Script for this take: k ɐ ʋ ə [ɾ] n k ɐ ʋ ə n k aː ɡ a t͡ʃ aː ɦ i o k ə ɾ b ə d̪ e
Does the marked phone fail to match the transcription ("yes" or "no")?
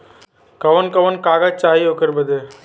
yes